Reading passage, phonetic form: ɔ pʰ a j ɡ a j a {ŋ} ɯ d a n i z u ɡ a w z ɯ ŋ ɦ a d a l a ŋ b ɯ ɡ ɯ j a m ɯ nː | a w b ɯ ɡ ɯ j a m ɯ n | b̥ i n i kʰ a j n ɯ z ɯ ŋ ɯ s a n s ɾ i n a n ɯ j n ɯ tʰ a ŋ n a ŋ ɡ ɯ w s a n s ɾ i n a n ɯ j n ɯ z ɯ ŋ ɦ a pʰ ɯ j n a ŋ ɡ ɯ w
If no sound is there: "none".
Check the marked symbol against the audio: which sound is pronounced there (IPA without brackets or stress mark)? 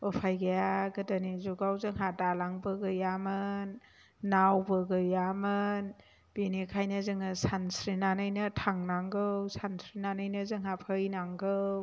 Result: ɡ